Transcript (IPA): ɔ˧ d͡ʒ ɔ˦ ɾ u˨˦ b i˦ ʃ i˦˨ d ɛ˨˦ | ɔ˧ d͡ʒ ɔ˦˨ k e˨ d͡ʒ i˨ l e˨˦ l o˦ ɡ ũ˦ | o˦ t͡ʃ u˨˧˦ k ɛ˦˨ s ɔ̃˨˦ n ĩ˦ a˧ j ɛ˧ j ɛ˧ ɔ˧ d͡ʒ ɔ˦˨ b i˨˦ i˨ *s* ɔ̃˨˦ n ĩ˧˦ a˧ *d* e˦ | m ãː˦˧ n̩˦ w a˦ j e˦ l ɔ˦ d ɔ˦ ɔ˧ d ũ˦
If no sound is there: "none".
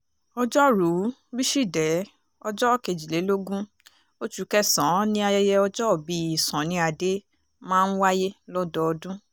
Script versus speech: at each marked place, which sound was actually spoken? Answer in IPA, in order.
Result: s, d

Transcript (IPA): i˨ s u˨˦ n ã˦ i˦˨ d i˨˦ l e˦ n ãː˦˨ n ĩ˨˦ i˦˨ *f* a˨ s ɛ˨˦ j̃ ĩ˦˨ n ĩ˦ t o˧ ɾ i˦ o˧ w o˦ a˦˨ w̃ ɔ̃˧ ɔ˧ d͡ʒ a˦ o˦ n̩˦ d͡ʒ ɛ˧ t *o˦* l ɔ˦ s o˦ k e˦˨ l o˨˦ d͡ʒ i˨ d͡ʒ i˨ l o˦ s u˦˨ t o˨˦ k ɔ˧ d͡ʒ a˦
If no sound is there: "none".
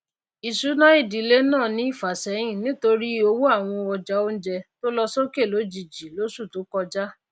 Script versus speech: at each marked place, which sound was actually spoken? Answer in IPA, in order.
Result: f, o˦

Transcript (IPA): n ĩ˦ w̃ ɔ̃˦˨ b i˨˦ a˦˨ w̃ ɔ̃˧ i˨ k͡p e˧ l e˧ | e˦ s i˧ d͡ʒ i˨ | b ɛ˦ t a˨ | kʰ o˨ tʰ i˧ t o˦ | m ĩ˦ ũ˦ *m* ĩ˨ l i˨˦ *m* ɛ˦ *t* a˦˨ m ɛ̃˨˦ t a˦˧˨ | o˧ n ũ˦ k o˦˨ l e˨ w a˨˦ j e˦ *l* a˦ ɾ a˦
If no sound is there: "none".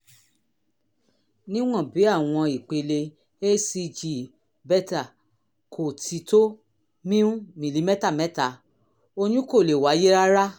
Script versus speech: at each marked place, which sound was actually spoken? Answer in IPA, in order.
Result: m, m, t, ɾ

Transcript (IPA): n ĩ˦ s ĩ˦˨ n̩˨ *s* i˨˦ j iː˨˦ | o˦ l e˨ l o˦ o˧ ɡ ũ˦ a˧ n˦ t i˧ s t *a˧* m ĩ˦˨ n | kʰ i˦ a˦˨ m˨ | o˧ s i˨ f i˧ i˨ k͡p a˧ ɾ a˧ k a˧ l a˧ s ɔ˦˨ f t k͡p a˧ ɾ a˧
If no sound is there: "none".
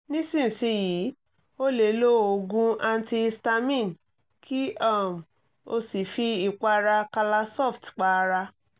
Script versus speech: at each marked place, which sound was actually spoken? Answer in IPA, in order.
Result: s, a˧

